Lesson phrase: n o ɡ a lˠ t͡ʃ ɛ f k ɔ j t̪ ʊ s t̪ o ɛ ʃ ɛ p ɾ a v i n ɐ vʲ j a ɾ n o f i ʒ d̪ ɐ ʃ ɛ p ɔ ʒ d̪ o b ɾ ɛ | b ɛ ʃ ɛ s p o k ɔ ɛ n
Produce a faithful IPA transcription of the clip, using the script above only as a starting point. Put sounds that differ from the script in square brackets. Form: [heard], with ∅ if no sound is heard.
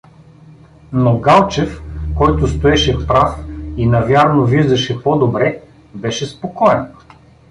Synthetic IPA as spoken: n o ɡ a lˠ t͡ʃ ɛ f k ɔ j t̪ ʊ s t̪ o ɛ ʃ ɛ p ɾ a [f] i n ɐ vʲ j a ɾ n o [v] i ʒ d̪ ɐ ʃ ɛ p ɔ [∅] d̪ o b ɾ ɛ | b ɛ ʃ ɛ s p o k ɔ ɛ n